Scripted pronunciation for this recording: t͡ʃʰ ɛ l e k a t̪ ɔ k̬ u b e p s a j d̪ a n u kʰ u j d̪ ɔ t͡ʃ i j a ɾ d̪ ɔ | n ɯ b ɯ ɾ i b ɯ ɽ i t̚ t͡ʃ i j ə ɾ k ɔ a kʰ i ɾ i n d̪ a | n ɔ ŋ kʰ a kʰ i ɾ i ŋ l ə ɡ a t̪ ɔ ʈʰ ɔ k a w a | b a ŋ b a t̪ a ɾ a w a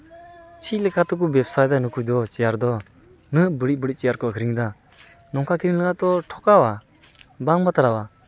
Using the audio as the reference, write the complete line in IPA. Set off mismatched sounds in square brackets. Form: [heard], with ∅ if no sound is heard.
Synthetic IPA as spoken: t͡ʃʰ [i] l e k a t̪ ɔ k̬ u b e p s a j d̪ a n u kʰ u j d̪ ɔ t͡ʃ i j a ɾ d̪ ɔ | n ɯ b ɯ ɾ i b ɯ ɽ i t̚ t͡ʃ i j [a] ɾ k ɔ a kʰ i ɾ i [ŋ] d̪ a | n ɔ ŋ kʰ a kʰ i ɾ i ŋ l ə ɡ a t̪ ɔ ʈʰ ɔ k a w a | b a ŋ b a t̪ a ɾ a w a